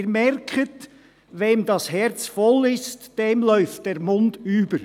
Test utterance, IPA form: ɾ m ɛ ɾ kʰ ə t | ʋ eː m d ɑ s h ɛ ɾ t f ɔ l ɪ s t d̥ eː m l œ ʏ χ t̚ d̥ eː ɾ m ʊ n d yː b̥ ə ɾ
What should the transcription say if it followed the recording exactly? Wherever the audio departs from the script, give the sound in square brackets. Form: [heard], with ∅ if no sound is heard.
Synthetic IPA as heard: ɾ m ɛ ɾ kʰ ə t | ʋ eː m d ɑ s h ɛ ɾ [t͡s] f ɔ l ɪ s t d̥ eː m l œ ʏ [f] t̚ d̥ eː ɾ m ʊ n d yː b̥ ə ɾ